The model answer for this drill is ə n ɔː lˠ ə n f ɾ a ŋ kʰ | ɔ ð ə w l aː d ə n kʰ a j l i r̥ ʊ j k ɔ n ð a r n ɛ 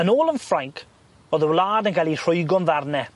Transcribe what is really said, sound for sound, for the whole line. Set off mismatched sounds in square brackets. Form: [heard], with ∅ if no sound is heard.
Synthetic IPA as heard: ə n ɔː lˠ ə n f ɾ a ŋ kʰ | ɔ ð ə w l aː d ə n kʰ a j l i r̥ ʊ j [ɡ] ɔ n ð a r n ɛ